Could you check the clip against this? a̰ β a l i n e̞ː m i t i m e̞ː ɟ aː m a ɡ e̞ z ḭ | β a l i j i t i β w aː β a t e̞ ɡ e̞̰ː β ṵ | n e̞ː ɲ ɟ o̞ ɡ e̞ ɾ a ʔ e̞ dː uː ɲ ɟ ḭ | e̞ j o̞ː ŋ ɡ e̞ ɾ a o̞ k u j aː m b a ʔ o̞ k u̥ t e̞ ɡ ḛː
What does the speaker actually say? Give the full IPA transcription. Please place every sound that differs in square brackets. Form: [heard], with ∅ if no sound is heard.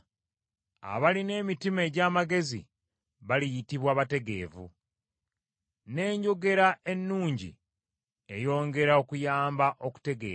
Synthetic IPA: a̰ β a l i n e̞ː m i t i m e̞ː ɟ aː m a ɡ e̞ z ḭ | β a l i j i t i β w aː β a t e̞ ɡ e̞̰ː [v] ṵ | n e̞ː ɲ ɟ o̞ ɡ e̞ ɾ a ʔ e̞ [nː] uː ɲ ɟ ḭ | e̞ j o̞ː ŋ ɡ e̞ ɾ a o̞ k u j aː m b a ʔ o̞ k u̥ t e̞ ɡ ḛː